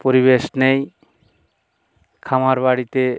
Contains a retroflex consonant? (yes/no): yes